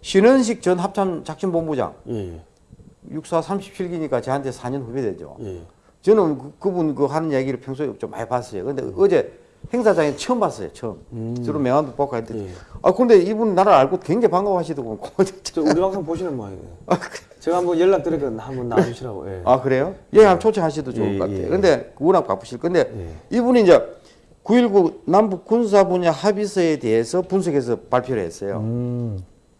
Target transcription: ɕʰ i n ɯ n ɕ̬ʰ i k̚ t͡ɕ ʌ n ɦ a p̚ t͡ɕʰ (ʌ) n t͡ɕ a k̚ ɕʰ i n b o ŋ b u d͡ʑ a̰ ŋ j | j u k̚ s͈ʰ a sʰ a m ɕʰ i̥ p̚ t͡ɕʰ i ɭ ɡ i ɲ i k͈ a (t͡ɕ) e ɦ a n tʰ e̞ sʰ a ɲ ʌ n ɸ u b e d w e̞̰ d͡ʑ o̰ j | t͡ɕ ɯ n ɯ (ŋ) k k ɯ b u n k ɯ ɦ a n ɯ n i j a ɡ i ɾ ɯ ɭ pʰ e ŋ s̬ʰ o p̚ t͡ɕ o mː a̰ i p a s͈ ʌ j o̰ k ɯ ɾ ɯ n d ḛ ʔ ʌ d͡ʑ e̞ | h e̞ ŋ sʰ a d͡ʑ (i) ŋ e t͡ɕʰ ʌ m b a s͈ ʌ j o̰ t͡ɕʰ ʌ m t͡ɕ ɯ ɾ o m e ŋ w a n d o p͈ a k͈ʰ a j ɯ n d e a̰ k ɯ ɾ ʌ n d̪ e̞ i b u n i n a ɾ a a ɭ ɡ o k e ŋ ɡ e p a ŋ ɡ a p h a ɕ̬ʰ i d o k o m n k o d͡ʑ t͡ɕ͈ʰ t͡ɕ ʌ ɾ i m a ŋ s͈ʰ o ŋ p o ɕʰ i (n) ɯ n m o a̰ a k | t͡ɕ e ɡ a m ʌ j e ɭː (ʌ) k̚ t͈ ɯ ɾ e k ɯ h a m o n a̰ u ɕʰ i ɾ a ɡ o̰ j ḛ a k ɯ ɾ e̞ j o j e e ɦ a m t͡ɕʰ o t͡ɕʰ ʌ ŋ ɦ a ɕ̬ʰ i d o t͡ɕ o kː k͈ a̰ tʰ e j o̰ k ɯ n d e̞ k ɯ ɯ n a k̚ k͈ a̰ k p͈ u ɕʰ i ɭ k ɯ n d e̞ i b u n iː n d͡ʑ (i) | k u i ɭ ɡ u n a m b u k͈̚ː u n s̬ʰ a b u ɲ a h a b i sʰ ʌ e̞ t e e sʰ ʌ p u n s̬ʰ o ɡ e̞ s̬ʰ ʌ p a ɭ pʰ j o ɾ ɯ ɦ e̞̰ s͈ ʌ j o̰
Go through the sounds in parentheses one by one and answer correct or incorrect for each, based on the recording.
incorrect, correct, incorrect, incorrect, correct, incorrect, incorrect

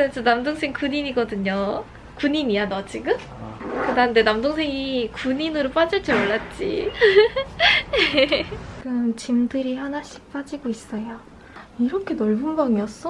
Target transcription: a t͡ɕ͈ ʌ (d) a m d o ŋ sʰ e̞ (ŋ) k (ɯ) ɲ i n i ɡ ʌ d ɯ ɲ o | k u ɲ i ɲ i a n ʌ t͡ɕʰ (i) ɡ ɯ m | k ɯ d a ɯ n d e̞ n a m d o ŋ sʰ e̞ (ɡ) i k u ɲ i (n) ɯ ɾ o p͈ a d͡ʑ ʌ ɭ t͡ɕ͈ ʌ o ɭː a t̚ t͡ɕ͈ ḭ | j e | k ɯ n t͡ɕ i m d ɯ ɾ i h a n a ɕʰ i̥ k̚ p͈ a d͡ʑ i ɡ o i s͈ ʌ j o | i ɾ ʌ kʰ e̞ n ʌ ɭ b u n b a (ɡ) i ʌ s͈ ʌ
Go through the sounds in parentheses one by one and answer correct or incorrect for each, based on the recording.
incorrect, correct, incorrect, correct, incorrect, correct, incorrect

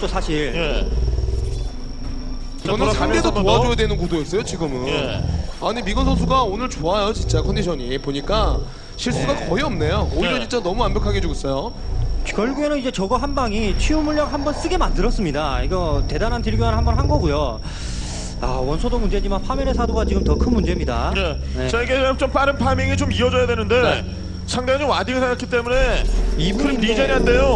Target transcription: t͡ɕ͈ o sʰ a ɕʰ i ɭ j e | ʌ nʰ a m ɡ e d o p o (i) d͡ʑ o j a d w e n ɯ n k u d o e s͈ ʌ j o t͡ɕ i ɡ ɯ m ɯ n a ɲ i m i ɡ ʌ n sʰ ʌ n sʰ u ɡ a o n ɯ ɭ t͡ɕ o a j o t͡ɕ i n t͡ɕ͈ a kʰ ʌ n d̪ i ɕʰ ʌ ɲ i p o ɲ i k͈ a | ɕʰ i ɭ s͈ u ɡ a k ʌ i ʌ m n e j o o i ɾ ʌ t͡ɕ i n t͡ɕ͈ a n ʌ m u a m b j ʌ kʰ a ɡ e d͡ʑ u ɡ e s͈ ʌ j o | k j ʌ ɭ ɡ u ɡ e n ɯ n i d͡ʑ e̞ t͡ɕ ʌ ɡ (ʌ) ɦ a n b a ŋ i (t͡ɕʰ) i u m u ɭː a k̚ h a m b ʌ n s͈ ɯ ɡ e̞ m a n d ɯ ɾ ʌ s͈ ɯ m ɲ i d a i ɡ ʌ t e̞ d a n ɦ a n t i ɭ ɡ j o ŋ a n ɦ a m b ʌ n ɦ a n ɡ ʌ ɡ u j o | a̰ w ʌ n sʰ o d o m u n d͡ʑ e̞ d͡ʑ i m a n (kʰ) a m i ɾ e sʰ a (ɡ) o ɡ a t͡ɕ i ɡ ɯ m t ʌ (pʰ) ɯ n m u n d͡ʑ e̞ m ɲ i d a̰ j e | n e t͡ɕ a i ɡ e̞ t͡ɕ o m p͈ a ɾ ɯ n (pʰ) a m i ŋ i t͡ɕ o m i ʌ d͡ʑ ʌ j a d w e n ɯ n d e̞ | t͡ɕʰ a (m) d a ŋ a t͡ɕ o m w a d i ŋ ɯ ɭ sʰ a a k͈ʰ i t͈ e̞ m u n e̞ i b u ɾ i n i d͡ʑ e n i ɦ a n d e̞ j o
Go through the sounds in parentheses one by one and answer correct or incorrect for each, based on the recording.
incorrect, correct, correct, incorrect, incorrect, incorrect, correct, incorrect

